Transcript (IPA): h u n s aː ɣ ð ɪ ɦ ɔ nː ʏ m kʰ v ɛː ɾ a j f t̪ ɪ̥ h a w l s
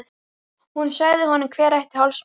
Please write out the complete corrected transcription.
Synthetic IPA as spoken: h u n s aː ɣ ð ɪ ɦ ɔ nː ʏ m kʰ v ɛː ɾ a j h t̪ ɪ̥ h a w l s